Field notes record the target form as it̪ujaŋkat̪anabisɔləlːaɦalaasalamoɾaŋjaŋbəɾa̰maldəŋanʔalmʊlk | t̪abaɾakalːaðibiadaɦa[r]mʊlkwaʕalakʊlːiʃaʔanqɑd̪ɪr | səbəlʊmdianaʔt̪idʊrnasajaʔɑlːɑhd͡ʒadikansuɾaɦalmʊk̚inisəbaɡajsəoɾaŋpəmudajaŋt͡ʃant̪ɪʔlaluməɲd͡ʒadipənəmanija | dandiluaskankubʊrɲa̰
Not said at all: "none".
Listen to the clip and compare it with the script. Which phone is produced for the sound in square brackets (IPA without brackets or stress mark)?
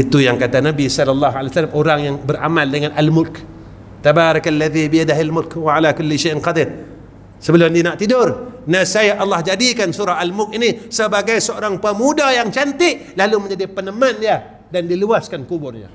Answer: l